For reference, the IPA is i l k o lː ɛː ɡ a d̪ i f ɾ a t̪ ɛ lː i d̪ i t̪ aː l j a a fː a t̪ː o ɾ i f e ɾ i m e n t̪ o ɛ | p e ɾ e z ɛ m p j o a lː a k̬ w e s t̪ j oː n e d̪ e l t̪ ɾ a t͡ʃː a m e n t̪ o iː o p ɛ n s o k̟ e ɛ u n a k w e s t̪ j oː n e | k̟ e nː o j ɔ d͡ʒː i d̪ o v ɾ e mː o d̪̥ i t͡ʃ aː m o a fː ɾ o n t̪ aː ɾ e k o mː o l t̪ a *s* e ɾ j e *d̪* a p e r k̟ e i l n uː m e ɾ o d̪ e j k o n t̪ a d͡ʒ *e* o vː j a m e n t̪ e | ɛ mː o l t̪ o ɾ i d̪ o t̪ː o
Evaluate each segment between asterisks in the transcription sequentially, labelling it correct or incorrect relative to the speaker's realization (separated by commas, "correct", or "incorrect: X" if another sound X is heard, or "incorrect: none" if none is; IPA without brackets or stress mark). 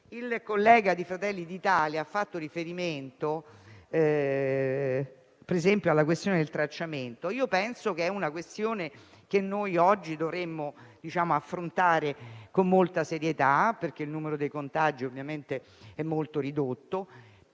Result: correct, incorrect: t̪, incorrect: i